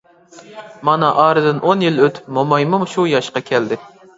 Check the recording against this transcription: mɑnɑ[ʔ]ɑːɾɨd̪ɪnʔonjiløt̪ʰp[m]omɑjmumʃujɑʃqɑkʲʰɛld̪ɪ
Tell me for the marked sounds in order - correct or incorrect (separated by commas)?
correct, correct